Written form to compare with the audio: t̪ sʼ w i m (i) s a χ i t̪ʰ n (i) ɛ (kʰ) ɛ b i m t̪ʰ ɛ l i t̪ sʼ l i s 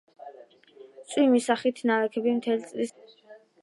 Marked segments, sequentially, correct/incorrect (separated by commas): correct, incorrect, correct